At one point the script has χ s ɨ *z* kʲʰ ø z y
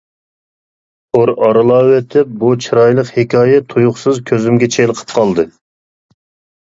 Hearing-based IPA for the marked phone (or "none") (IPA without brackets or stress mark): z